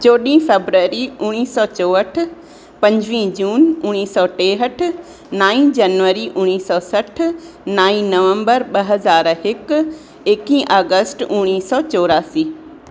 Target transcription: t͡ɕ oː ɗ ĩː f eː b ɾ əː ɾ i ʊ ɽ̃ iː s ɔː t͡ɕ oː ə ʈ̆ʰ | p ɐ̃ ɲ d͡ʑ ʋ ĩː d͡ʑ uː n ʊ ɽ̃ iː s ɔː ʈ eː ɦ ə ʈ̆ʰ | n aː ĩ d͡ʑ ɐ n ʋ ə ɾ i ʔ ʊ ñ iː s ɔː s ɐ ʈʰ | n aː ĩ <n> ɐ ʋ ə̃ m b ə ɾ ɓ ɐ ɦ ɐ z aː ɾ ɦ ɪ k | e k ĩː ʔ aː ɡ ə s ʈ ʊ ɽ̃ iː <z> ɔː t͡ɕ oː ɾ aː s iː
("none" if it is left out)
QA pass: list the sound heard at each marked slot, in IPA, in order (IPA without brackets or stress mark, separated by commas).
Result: n, s